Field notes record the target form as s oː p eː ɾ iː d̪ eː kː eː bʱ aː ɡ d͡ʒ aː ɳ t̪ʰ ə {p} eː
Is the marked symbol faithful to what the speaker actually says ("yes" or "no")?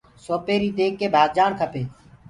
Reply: yes